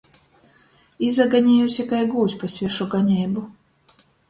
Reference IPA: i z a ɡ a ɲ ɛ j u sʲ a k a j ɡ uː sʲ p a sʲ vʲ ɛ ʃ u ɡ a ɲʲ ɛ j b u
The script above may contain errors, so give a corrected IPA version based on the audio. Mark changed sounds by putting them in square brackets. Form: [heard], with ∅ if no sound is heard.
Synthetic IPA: i z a ɡ a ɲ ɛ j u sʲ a k a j ɡ uː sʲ p a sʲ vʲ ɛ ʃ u ɡ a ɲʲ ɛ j b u